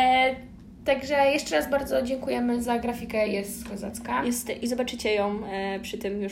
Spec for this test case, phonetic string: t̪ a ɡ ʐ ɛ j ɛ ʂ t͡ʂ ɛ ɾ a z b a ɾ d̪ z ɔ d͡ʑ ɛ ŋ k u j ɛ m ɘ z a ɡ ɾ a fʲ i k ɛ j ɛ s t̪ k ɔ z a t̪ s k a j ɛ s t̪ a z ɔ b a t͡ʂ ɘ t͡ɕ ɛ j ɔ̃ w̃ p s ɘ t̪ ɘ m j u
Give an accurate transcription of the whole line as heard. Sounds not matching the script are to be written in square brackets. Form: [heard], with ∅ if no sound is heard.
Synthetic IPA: t̪ a ɡ ʐ ɛ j ɛ ʂ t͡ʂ ɛ ɾ a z b a ɾ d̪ z ɔ d͡ʑ ɛ ŋ k u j ɛ m ɘ z a ɡ ɾ a fʲ i k ɛ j ɛ s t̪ k ɔ z a t̪ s k a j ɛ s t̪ [i] z ɔ b a t͡ʂ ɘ t͡ɕ ɛ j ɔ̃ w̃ p [ʂ] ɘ t̪ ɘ m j u